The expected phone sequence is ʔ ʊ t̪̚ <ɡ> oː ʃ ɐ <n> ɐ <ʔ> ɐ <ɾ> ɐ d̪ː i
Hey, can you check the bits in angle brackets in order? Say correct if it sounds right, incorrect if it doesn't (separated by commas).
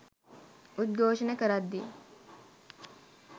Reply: correct, correct, incorrect, correct